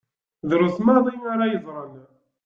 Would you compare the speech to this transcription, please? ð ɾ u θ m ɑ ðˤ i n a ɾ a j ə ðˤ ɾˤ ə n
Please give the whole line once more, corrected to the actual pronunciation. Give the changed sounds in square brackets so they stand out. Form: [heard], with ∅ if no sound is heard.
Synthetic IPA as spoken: ð ɾ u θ m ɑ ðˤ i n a ɾ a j ə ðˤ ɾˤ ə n